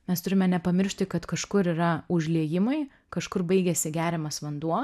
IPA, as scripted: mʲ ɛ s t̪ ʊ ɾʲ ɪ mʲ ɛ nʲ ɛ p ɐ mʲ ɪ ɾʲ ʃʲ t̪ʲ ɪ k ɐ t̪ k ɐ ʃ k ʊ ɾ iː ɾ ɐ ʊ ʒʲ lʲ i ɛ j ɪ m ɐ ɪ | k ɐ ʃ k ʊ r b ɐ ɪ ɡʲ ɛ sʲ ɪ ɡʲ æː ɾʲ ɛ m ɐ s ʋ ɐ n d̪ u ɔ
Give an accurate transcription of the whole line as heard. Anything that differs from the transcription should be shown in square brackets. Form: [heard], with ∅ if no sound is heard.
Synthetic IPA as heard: mʲ ɛ s t̪ ʊ ɾʲ ɪ mʲ ɛ nʲ ɛ p ɐ mʲ ɪ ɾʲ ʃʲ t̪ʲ ɪ k ɐ t̪ k ɐ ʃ k ʊ ɾ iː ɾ ɐ ʊ ʒʲ lʲ i ɛ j ɪ m ɐ ɪ | k ɐ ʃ k ʊ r b ɐ ɪ ɡʲ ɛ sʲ ɪ ɡʲ æː ɾʲ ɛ m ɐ s ʋ ɐ n d̪ u ɔ